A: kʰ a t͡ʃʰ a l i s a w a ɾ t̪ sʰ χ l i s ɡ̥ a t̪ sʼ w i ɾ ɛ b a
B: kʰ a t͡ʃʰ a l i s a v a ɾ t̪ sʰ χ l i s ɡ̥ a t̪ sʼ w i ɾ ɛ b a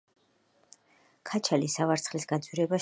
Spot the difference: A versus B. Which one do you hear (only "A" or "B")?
B